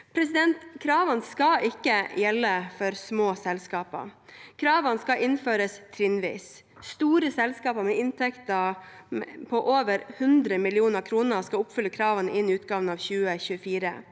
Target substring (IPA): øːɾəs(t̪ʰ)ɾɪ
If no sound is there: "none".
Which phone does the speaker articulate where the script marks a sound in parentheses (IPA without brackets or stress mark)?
t̪ʰ